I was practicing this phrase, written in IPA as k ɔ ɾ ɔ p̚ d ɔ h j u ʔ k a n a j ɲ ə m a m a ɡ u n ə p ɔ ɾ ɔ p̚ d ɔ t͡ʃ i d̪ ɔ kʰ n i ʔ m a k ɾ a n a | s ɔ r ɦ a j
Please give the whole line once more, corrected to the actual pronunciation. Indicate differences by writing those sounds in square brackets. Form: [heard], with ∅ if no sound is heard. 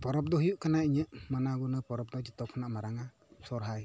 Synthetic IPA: [p] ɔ ɾ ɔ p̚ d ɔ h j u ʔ k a n a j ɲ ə m a [n] a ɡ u n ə p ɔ ɾ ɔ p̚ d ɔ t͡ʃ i [t̪] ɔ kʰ n [a] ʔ m a [∅] ɾ a [ŋ] a | s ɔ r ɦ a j